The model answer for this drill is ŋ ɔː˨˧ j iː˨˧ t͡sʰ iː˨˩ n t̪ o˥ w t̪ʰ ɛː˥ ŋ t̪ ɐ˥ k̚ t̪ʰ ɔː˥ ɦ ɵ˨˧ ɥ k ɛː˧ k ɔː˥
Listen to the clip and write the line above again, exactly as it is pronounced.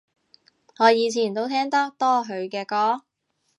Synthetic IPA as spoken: ŋ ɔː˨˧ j iː˨˧ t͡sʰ iː˨˩ n t̪ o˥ w t̪ʰ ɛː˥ ŋ t̪ ɐ˥ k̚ t̪ ɔː˥ ɦ ɵ˨˧ ɥ k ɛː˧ k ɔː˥